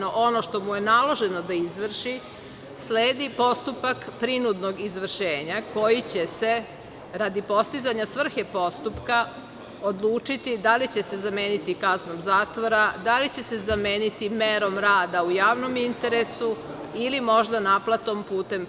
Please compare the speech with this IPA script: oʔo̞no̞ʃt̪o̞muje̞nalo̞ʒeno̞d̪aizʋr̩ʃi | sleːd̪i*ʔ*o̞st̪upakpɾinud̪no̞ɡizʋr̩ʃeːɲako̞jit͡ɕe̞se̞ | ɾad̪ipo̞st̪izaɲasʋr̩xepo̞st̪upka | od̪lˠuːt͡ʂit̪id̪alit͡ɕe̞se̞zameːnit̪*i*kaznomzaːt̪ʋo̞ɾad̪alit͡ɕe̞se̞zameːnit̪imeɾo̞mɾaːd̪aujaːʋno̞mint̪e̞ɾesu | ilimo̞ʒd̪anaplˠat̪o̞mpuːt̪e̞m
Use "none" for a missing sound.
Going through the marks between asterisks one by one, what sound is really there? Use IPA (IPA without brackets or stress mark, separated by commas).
p, i